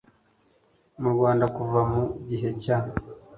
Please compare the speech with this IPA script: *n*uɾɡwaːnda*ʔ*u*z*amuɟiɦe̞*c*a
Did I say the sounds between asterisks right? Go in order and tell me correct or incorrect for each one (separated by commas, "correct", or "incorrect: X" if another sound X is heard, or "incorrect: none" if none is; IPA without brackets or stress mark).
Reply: incorrect: m, incorrect: k, incorrect: v, correct